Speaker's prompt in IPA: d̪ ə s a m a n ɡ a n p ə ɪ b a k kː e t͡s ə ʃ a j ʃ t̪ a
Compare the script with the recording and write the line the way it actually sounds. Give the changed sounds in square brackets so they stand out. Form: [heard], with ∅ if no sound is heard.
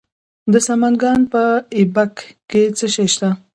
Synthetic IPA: d̪ ə s a m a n ɡ [ɑ] n p ə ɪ b a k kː e t͡s ə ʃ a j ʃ t̪ a